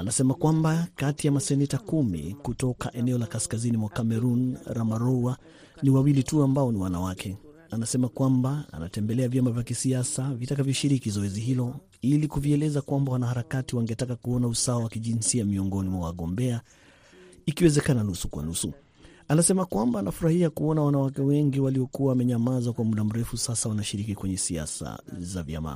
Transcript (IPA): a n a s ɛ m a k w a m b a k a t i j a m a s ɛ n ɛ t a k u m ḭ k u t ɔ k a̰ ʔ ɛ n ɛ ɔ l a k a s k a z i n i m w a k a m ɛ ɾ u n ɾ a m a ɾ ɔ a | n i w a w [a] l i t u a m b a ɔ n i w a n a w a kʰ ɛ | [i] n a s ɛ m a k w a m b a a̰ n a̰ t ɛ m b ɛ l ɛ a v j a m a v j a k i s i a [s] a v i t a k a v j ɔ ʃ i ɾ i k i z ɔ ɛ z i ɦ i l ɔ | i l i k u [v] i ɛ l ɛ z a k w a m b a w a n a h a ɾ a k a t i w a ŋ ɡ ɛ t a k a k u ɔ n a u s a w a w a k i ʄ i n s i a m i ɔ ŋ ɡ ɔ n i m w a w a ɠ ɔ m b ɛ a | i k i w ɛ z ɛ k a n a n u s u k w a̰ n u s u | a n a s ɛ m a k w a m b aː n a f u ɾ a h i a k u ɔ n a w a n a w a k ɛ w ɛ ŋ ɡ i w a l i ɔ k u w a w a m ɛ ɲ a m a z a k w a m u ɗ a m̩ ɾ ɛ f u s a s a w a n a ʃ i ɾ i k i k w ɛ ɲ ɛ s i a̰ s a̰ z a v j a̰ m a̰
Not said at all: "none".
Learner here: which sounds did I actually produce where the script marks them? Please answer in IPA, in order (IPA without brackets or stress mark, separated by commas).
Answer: i, a, s, v